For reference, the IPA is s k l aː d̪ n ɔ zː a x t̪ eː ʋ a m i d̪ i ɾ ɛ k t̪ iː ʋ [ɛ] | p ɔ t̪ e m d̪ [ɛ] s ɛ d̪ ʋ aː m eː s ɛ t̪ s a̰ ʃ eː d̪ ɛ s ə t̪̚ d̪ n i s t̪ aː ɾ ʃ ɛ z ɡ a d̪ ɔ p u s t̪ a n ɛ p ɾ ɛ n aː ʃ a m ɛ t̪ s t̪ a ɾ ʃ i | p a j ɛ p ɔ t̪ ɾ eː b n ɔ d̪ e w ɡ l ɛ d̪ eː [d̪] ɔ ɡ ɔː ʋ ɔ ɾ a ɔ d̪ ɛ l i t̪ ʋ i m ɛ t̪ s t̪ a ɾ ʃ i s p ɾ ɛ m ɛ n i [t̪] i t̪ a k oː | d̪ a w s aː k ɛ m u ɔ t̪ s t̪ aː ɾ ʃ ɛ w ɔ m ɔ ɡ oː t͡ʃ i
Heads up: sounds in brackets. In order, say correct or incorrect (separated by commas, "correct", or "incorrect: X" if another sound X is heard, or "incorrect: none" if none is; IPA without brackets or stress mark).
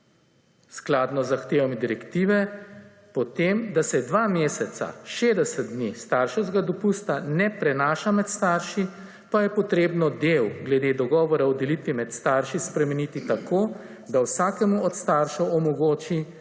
correct, incorrect: a, correct, correct